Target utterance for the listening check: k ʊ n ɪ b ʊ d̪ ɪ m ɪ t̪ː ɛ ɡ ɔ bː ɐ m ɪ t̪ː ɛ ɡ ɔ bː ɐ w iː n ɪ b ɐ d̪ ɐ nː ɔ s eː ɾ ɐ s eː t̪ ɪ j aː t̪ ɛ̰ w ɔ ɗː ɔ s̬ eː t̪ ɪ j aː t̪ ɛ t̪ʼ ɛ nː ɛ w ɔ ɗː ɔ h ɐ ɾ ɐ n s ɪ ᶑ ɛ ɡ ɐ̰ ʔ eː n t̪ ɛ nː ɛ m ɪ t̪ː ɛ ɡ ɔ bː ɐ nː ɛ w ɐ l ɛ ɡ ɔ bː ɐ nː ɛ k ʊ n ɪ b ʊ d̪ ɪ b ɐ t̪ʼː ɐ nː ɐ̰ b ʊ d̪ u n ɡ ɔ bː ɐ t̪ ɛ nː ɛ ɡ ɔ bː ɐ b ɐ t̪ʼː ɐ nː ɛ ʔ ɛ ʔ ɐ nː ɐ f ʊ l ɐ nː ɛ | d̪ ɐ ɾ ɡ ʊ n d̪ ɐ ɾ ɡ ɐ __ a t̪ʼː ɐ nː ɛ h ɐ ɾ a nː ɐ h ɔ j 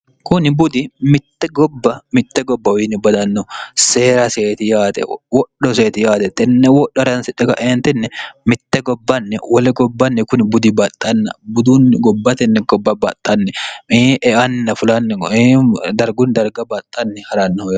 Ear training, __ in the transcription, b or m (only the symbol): b